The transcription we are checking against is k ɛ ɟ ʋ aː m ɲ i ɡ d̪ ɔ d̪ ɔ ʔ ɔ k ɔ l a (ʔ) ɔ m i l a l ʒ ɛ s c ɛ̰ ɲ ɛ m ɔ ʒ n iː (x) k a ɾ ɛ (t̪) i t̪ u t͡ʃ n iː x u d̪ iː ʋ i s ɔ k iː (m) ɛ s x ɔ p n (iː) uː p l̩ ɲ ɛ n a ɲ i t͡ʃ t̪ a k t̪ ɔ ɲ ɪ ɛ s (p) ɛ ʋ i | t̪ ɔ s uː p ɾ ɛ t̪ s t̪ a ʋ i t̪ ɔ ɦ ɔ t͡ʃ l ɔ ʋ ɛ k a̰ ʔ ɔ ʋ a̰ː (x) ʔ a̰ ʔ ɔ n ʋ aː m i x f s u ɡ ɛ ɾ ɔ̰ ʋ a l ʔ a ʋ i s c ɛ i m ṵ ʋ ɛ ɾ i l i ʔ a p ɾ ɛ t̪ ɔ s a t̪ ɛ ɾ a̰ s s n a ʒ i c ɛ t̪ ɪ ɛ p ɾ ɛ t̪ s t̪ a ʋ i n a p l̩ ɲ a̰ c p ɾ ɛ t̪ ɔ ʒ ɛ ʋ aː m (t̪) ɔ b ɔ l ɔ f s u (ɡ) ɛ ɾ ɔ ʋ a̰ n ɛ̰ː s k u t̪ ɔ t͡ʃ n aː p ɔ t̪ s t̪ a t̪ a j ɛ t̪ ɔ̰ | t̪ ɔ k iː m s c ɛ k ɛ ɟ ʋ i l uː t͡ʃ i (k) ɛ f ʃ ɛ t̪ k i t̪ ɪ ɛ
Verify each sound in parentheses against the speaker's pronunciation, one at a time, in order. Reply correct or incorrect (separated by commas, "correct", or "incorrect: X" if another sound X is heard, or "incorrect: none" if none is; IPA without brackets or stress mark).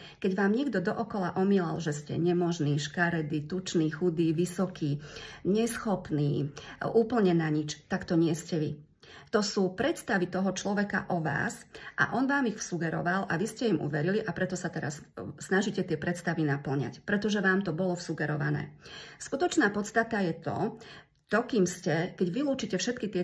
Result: correct, incorrect: ʃ, incorrect: d̪, incorrect: ɲ, correct, incorrect: c, incorrect: s, correct, correct, incorrect: c